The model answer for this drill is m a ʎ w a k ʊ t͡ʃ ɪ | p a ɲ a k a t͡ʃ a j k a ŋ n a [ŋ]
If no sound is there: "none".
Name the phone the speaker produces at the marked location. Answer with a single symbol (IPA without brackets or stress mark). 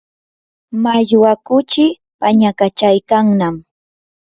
m